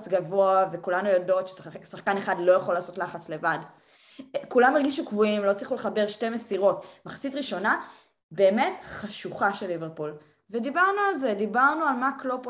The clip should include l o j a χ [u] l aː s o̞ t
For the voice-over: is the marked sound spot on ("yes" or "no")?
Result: no